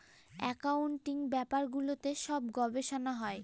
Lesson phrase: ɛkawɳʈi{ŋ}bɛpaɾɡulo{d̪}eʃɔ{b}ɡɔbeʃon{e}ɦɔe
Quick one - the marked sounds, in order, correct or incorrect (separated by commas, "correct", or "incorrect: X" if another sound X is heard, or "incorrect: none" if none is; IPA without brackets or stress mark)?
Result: correct, incorrect: t̪, correct, incorrect: a